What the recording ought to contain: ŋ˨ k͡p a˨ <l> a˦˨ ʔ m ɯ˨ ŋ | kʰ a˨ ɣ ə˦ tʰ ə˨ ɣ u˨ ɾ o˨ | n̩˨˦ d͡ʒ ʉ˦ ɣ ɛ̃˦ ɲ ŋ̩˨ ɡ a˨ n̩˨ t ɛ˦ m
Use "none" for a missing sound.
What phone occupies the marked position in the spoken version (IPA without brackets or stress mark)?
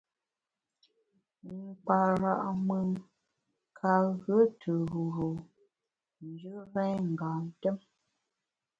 ɾ